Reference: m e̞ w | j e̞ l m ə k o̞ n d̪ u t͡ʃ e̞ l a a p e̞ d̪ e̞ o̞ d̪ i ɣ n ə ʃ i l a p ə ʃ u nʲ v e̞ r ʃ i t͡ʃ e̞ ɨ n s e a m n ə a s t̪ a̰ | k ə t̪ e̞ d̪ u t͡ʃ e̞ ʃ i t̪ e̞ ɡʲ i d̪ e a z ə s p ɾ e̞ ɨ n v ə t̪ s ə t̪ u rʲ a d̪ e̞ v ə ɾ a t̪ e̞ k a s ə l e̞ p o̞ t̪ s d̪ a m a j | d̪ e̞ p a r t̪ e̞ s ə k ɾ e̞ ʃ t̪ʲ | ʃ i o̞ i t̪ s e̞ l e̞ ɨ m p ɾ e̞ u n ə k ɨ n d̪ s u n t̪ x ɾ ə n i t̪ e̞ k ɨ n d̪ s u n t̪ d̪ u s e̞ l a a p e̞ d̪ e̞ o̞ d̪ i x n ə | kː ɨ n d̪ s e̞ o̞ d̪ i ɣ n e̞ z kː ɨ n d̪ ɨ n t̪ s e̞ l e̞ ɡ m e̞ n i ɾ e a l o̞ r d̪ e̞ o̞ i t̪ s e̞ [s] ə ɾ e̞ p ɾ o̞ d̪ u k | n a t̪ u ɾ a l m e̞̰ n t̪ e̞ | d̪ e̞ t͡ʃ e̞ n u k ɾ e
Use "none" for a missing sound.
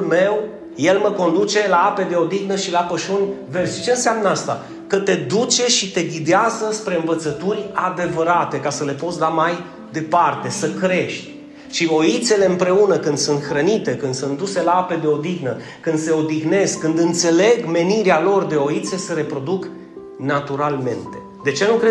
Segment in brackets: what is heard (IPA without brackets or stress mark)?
s